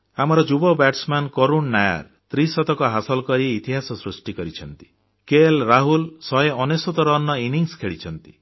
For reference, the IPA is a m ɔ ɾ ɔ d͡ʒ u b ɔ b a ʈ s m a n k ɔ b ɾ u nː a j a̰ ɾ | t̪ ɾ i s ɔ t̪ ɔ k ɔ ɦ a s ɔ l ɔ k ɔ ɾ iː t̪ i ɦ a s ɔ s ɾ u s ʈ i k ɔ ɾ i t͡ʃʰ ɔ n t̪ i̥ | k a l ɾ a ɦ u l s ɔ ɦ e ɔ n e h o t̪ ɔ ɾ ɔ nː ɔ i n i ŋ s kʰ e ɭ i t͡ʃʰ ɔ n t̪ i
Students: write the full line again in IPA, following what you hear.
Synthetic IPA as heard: a m ɔ ɾ ɔ d͡ʒ u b ɔ b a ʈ s m a n k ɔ ɾ u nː a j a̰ ɾ | t̪ ɾ i s ɔ t̪ ɔ k ɔ ɦ a s ɔ l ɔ k ɔ ɾ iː t̪ i ɦ a s ɔ s ɾ u s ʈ i k ɔ ɾ i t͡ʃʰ ɔ n t̪ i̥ | k e l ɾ a ɦ u l s ɔ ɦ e ɔ n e s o t̪ ɔ ɾ ɔ nː ɔ i n i ŋ s kʰ e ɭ i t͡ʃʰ ɔ n t̪ i